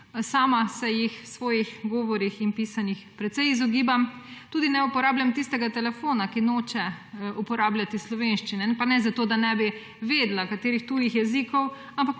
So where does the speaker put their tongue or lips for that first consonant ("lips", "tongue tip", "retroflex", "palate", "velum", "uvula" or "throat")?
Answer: tongue tip